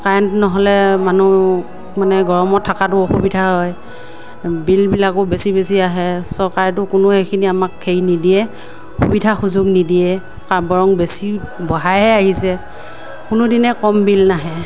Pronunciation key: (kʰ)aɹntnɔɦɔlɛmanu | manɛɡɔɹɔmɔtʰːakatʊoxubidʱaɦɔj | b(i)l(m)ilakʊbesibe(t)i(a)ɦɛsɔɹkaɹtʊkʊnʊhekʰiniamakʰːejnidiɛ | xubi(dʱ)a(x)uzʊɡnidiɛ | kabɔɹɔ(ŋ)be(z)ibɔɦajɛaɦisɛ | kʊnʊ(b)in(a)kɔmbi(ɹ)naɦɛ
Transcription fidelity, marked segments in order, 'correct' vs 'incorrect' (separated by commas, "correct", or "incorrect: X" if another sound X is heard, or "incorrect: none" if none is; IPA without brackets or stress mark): incorrect: k, correct, incorrect: b, incorrect: s, correct, correct, correct, correct, incorrect: s, incorrect: d, incorrect: ɛ, incorrect: l